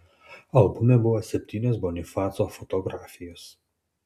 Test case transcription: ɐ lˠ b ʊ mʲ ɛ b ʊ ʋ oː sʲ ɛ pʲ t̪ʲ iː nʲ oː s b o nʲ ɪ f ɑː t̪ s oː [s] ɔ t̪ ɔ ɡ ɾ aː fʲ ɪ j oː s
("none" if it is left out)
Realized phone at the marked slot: f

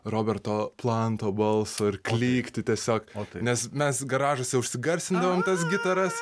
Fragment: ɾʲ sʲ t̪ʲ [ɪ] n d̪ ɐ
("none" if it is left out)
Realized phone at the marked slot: ɪ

